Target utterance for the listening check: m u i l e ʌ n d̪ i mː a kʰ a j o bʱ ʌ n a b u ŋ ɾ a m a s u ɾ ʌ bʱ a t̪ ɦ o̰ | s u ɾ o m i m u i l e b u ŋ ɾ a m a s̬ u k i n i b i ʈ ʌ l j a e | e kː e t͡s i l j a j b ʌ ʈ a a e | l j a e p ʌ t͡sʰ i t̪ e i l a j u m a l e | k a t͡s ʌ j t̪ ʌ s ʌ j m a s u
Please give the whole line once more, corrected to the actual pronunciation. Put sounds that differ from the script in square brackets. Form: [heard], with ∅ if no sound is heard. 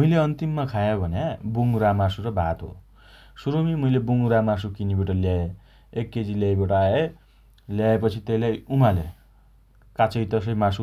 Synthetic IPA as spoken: m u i l e ʌ n [t̪] i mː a kʰ a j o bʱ ʌ n a b u ŋ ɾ a m a s u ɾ ʌ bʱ a t̪ ɦ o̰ | s u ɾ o m i m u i l e b u ŋ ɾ a m a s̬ u k i n i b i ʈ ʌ l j a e | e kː e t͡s i l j a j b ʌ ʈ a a e | l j a e p ʌ t͡sʰ i t̪ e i l a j u m a l e | k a t͡s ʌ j t̪ ʌ s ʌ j m a s u